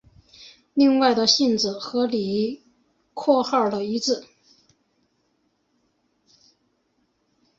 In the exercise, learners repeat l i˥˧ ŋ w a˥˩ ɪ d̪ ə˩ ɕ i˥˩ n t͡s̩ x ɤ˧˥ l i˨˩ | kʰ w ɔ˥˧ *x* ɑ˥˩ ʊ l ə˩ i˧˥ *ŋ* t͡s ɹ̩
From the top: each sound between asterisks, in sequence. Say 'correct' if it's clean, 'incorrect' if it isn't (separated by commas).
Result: correct, incorrect